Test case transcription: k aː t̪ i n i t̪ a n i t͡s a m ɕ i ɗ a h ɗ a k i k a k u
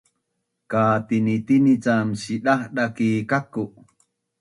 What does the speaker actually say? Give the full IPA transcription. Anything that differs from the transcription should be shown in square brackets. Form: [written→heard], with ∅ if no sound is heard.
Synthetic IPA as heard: k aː t̪ i n i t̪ [a→i] n i t͡s a m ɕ i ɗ a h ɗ a k i k a k u